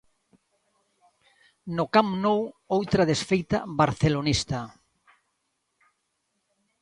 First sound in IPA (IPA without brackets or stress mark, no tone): n